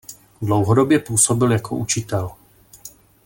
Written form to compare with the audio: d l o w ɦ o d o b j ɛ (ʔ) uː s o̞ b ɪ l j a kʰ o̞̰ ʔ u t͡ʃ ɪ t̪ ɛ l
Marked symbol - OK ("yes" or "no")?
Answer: no